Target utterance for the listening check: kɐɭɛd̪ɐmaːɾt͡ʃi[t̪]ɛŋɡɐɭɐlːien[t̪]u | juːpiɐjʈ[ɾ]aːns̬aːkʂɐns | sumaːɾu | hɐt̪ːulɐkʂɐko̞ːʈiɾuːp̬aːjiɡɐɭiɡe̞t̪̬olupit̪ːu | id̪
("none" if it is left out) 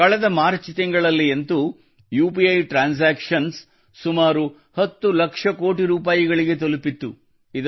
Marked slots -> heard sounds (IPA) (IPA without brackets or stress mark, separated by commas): t̪, t̪, ɾ